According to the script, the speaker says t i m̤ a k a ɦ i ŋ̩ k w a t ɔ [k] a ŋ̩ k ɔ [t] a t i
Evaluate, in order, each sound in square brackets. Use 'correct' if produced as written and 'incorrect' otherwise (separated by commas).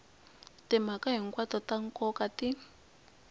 incorrect, incorrect